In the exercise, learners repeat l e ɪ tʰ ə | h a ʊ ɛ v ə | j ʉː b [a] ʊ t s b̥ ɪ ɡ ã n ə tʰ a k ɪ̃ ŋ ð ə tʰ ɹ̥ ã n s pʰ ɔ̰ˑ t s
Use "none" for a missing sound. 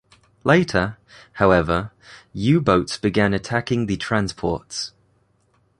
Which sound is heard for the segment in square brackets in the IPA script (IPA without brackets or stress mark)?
ə